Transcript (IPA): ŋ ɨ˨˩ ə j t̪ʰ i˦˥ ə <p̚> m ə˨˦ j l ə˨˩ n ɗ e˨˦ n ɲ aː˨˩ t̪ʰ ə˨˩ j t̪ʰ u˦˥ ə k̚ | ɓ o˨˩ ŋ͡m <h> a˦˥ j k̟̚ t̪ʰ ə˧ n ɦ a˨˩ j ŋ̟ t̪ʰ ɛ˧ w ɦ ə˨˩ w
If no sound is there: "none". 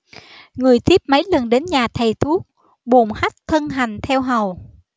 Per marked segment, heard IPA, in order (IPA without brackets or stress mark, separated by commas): p̚, h